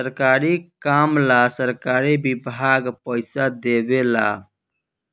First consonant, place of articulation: alveolar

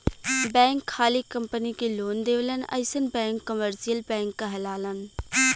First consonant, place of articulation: labial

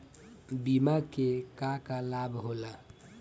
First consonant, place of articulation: labial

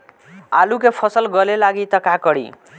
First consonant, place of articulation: alveolar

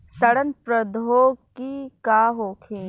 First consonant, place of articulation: alveolar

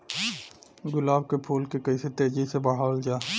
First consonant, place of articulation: velar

